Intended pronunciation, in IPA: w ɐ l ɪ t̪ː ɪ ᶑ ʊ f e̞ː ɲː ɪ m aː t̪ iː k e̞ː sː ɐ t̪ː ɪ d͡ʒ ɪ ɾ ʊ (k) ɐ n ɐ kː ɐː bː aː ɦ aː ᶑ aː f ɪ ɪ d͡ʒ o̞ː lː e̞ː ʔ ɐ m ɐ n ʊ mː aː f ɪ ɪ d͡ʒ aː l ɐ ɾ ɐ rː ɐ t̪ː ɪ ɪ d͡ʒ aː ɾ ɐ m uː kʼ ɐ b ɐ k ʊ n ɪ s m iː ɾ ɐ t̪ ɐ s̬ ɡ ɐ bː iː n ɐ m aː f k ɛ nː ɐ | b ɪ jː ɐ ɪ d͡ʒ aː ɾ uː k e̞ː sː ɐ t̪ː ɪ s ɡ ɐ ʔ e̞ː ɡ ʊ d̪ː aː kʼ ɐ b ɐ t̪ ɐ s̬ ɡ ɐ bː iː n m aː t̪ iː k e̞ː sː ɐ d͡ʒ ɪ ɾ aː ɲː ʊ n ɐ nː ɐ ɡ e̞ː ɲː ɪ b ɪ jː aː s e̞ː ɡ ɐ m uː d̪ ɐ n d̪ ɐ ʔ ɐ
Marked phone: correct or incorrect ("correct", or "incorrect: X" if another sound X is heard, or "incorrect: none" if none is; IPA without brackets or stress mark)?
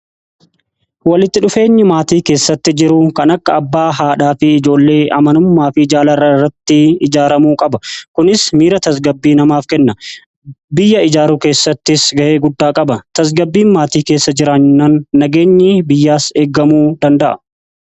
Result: correct